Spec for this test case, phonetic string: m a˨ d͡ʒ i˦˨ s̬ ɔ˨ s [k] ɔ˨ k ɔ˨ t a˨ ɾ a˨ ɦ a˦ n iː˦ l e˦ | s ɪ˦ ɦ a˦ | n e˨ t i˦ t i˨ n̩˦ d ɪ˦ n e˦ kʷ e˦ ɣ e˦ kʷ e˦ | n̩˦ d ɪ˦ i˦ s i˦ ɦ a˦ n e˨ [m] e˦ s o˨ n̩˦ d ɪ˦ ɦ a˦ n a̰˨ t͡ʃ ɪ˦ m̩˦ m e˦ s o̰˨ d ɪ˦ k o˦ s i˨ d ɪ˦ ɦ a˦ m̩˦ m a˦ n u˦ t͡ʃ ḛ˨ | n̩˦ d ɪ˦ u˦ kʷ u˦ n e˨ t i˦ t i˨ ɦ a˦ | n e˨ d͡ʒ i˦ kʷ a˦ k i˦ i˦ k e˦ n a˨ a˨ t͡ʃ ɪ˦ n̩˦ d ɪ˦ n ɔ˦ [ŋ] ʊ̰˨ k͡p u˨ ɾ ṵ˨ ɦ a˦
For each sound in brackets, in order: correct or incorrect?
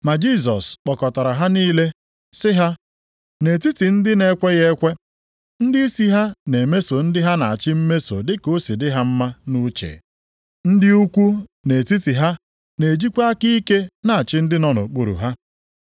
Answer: incorrect: k͡p, correct, incorrect: n

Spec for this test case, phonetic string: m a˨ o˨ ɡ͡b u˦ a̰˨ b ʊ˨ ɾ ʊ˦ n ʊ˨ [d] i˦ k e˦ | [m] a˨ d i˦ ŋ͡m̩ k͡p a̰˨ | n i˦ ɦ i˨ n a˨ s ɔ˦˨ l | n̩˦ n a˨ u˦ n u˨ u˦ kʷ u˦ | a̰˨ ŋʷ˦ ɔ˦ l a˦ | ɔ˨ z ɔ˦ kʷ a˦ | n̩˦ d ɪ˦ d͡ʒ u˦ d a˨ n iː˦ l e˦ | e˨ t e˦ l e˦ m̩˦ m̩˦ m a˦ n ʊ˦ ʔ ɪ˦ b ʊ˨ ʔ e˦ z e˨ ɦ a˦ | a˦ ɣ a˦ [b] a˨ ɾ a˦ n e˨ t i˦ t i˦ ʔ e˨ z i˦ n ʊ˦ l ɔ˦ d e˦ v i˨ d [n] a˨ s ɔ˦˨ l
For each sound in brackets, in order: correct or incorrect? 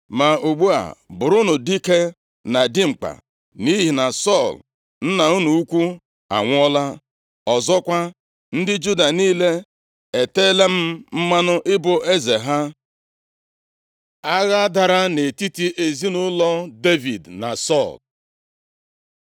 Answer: correct, incorrect: n, incorrect: d, correct

